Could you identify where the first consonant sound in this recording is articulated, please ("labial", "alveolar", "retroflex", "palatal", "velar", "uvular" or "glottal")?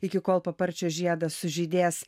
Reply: velar